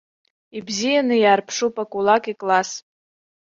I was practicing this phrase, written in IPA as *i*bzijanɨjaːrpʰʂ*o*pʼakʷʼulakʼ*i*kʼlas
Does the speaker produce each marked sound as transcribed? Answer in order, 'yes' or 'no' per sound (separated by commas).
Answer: yes, no, yes